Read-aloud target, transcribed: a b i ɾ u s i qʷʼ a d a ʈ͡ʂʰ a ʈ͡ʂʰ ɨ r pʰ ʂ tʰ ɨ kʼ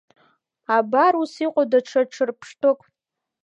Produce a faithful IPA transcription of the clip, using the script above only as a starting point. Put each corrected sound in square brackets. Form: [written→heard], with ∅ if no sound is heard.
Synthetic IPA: a b [i→a] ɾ u s i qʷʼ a d a ʈ͡ʂʰ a ʈ͡ʂʰ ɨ r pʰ ʂ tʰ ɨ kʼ